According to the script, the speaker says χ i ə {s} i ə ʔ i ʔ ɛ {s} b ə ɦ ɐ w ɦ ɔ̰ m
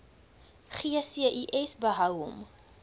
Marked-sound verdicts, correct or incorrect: correct, correct

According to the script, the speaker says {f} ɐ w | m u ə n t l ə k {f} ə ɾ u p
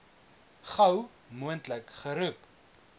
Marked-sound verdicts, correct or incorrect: incorrect: χ, incorrect: χ

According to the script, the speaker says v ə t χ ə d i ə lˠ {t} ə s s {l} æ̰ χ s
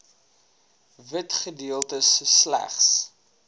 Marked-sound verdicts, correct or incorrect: correct, correct

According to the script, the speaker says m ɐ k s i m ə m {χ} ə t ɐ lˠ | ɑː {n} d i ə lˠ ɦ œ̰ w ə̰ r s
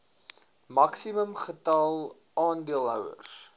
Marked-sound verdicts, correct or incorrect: correct, correct

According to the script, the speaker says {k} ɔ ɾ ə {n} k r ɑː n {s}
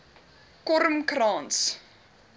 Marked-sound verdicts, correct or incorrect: correct, incorrect: m, correct

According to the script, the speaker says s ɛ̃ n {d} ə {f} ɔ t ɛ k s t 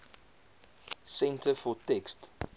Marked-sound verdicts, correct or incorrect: incorrect: t, correct

